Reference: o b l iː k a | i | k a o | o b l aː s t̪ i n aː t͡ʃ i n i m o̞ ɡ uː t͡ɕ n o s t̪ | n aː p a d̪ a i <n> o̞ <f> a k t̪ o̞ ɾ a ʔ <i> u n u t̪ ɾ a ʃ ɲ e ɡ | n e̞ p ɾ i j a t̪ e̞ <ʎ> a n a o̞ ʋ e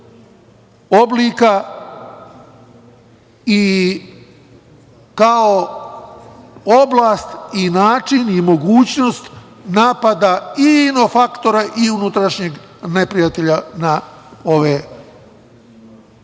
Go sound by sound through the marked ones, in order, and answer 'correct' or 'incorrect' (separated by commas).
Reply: correct, correct, correct, correct